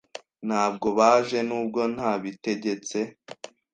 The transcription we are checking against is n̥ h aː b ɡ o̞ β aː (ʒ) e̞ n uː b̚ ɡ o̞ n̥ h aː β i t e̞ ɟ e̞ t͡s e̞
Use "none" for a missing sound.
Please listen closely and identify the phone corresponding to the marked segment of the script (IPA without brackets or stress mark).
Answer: ʒ